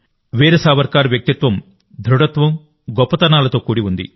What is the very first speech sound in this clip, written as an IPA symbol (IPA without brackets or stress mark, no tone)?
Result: ʋ